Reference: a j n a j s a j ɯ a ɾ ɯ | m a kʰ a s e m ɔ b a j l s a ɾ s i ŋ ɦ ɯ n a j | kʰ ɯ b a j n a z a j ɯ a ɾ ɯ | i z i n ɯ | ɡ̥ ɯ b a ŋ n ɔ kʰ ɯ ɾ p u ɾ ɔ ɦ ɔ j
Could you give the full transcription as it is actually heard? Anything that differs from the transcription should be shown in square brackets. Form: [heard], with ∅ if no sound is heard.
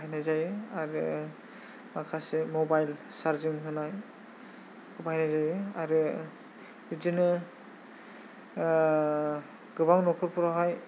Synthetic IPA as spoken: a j n a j [z] a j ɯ a ɾ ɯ | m a kʰ a s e m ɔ b a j l s a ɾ [z] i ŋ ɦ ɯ n a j | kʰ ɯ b a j n a z a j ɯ a ɾ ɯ | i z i n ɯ | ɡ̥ ɯ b a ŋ n ɔ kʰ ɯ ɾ p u ɾ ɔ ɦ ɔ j